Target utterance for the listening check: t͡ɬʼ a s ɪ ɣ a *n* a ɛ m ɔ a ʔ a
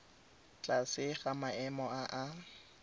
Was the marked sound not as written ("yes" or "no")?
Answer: yes